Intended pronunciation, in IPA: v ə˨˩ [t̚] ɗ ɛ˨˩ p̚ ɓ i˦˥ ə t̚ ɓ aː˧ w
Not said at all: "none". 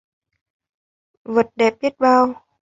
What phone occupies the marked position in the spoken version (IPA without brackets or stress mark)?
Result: t̚